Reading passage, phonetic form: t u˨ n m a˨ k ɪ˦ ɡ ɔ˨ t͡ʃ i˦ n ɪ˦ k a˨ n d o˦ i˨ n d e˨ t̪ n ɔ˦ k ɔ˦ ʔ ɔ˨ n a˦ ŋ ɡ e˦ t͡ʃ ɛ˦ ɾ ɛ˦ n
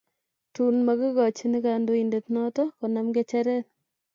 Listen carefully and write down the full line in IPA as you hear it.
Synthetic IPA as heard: t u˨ n m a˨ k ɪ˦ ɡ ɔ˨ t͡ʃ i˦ n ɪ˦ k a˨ n d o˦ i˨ n d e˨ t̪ n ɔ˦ t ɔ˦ k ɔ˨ n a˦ m ɡ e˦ t͡ʃ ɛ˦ ɾ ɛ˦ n

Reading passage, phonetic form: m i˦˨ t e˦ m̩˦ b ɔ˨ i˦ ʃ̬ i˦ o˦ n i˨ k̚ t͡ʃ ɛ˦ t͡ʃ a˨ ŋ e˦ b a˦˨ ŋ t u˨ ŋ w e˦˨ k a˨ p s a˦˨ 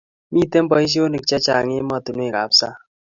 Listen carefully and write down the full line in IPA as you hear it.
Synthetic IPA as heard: m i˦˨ t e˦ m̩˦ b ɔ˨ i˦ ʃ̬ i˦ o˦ n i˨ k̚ t͡ʃ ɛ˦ t͡ʃ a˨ ŋ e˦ m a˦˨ t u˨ n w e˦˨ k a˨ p s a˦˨

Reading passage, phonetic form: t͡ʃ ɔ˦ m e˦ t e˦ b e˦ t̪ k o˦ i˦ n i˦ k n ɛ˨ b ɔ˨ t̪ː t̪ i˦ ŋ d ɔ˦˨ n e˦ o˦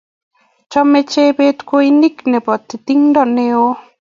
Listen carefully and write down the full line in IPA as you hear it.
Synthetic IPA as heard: t͡ʃ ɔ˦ m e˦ t͡ʃ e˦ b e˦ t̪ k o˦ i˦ n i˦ k n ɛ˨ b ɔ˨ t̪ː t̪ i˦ ŋ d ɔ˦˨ n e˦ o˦

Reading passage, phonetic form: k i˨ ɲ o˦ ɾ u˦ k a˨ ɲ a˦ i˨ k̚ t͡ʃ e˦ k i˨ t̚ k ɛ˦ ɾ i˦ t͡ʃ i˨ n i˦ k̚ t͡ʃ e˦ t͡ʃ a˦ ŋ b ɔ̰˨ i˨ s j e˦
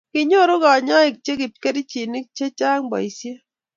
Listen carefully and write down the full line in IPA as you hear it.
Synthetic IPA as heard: k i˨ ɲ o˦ ɾ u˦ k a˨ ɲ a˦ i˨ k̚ t͡ʃ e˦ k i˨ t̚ k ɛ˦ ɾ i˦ t͡ʃ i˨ n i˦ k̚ t͡ʃ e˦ t͡ʃ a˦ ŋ b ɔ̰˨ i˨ s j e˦

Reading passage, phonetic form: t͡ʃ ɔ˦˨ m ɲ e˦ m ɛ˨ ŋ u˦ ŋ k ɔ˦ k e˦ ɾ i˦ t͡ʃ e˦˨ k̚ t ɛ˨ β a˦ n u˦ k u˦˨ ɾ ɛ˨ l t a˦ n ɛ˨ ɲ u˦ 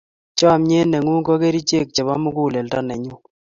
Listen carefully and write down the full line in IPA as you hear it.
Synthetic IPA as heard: t͡ʃ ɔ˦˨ m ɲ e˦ n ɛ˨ ŋ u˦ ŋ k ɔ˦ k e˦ ɾ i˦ t͡ʃ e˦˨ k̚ t͡ʃ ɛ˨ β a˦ m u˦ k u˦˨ l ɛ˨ l t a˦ n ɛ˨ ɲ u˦

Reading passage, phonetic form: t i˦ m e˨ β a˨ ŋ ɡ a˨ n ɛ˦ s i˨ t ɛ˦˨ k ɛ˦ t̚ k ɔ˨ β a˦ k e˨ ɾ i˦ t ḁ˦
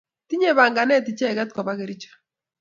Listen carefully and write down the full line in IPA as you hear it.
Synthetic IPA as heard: t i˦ ɲ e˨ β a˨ ŋ ɡ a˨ n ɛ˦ t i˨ t͡ʃ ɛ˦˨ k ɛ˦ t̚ k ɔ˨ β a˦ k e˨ ɾ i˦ t͡ʃ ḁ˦

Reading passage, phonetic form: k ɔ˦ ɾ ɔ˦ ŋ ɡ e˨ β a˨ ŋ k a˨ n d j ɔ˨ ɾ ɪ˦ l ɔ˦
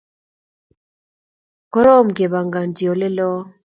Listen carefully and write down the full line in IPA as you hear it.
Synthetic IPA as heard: k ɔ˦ ɾ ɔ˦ m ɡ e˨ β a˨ ŋ ɡ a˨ n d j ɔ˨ l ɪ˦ l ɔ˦

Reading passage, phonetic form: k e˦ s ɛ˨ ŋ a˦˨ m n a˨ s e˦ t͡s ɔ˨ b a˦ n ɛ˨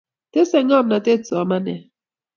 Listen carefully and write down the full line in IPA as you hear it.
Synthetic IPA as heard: t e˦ s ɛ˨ ŋ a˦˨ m n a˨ t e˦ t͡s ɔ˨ m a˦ n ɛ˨

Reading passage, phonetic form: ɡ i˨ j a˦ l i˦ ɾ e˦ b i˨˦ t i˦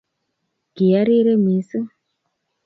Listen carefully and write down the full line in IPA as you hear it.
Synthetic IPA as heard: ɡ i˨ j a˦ ɾ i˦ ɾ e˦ m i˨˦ s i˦

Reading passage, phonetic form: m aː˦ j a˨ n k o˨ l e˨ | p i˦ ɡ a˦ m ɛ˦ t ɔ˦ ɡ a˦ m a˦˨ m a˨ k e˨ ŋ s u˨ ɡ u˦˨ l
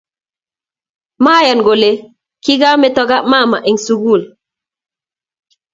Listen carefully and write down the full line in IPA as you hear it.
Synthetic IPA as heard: m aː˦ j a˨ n ɡ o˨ l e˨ | k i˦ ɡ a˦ m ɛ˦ t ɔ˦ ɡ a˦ m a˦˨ m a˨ ʔ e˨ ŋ s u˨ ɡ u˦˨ l

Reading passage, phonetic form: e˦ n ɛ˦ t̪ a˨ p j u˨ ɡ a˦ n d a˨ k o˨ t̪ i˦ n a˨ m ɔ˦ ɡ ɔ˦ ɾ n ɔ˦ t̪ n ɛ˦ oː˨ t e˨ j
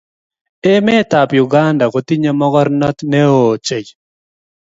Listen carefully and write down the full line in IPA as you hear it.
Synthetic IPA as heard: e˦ m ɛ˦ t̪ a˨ p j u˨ ɡ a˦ n d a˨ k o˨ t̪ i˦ ɲ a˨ m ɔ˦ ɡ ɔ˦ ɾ n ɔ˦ t̪ n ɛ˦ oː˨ t͡ʃ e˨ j

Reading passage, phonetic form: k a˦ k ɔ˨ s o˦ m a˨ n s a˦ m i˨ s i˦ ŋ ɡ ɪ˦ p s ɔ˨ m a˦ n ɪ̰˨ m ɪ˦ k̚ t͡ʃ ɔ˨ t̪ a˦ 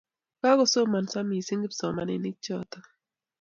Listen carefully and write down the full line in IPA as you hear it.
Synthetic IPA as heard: k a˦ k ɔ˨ s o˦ m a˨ n s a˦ m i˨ s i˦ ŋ ɡ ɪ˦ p s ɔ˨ m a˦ n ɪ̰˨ n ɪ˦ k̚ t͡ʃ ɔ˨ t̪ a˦

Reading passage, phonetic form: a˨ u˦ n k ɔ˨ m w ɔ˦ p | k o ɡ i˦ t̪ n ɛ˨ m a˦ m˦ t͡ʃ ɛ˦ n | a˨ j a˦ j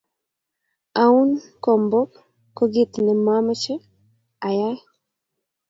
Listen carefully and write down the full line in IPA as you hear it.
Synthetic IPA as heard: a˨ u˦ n k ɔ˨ m b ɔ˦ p | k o ɡ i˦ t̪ n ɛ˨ m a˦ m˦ t͡ʃ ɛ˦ | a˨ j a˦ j

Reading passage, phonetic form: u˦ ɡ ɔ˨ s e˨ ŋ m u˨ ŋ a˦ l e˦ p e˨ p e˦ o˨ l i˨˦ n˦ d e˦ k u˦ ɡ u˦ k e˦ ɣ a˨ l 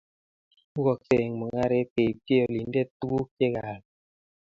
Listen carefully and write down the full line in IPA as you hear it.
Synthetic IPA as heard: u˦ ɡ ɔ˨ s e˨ ŋ m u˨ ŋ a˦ ɾ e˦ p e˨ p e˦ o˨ l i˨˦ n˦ d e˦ t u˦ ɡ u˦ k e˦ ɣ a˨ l

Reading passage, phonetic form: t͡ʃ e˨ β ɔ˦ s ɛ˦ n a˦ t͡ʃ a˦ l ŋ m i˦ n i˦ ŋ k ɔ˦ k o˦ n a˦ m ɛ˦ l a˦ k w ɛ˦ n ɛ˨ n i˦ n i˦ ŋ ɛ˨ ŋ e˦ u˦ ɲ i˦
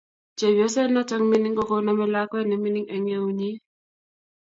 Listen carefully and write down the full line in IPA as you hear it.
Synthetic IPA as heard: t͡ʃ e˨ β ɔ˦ s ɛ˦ n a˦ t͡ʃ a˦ ŋ m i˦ n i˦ ŋ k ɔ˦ k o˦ n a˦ m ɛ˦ l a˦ k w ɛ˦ n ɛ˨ m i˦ n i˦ ŋ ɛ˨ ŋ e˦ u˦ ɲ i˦

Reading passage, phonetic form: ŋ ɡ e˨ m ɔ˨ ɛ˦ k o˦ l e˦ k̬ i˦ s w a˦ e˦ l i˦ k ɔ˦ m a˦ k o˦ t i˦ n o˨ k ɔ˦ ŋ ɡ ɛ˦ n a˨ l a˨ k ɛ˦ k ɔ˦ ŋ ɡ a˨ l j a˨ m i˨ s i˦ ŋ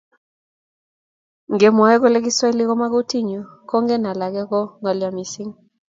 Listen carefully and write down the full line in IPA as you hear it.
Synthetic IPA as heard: ŋ ɡ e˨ m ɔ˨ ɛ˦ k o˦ l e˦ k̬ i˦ s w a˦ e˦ l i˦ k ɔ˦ m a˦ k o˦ t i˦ ɲ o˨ k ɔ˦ ŋ ɡ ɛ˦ n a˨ l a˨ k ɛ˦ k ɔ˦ ŋ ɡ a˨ l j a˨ m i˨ s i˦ ŋ

